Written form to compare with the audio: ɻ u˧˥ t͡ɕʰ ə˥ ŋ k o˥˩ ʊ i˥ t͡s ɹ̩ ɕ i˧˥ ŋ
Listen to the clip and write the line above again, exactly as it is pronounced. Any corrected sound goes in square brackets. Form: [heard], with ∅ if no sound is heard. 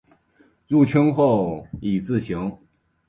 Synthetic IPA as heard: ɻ [u˥˩] t͡ɕʰ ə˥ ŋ [x] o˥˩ ʊ [i˨˩] t͡s ɹ̩ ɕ i˧˥ ŋ